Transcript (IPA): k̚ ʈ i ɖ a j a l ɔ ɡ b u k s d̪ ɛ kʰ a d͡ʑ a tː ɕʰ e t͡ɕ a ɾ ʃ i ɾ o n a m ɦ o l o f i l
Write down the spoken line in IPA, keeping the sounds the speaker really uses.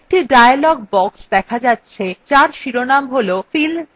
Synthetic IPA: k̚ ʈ i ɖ a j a l ɔ ɡ b ɔ k s d̪ ɛ kʰ a d͡ʑ a tː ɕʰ e t͡ɕ a ɾ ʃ i ɾ o n a m ɦ o l o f i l